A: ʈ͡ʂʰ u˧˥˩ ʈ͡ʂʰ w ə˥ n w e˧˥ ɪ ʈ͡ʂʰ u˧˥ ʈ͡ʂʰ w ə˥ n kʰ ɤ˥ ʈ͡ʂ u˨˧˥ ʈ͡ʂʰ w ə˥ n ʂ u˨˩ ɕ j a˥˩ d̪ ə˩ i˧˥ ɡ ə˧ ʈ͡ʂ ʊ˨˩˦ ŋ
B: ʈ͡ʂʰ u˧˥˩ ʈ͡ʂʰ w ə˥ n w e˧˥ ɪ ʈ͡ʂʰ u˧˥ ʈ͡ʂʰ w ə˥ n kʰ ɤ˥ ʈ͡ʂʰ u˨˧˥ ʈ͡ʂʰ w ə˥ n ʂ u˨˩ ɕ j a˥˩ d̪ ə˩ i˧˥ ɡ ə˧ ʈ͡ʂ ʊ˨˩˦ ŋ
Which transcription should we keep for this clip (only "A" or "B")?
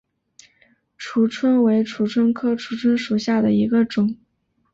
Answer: B